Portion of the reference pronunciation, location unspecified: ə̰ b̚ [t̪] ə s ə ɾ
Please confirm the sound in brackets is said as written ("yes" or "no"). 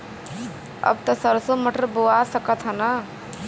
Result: yes